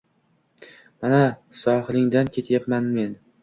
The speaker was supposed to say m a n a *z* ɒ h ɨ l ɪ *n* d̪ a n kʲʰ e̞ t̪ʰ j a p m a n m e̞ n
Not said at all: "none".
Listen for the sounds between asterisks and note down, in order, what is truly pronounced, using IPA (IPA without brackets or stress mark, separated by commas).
s, ŋ